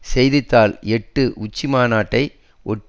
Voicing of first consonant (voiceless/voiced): voiceless